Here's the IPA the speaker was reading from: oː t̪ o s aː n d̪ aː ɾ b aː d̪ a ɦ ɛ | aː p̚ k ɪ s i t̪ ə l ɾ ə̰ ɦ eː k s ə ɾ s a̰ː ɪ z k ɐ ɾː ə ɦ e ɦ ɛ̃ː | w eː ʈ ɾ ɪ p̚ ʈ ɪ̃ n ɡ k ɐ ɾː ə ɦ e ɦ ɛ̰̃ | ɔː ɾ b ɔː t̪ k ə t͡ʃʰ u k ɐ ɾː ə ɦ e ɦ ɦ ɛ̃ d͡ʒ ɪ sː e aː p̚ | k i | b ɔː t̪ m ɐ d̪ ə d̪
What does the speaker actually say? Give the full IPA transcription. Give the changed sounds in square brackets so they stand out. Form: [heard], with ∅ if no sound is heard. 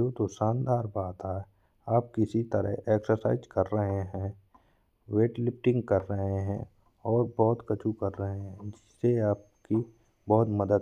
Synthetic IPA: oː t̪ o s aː n d̪ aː ɾ b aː [t̪] a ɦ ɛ | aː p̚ k ɪ s i t̪ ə [∅] ɾ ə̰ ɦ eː k s ə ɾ s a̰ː ɪ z k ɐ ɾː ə ɦ e ɦ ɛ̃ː | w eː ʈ [l] ɪ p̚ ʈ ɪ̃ [ŋ] ɡ k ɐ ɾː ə ɦ e ɦ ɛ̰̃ | ɔː ɾ b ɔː t̪ k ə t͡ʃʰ u k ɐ ɾː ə ɦ e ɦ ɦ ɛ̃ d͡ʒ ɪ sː e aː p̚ | k i | b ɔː t̪ m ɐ d̪ ə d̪